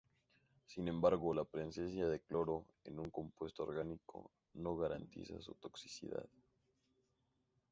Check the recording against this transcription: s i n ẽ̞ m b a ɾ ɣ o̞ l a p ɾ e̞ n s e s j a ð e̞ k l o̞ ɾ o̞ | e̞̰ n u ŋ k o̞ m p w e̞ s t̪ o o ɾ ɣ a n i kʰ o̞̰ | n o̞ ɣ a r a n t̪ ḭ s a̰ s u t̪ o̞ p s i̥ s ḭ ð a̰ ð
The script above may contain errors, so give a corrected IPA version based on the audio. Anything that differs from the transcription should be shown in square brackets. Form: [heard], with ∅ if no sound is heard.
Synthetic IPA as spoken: s i n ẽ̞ m b a ɾ ɣ o̞ l a p ɾ e̞ n s e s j a ð e̞ k l o̞ ɾ o̞ | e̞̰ n u ŋ k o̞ m p w e̞ s t̪ o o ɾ ɣ a n i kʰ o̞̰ | n o̞ ɣ a [ɾ] a n t̪ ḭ s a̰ s u t̪ o̞ [k] s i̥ s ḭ ð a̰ ð